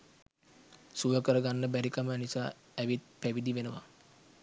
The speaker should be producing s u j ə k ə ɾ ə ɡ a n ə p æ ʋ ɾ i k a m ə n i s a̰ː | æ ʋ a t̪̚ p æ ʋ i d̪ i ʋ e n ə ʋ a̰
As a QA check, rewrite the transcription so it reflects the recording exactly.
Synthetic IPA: s u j ə k ə ɾ ə ɡ a nː ə b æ ɾ i k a m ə n i s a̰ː | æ ʋ i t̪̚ p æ ʋ i d̪ i ʋ e n ə ʋ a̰